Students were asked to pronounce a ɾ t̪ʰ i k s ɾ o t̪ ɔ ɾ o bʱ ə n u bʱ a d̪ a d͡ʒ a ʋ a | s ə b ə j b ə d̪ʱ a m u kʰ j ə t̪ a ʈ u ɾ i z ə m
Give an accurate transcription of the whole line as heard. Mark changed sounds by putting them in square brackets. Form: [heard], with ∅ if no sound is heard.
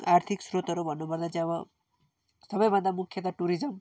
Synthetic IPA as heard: a ɾ t̪ʰ i k s ɾ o t̪ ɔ ɾ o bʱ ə n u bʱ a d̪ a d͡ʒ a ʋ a | s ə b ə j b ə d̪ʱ a m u kʰ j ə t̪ a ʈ u ɾ i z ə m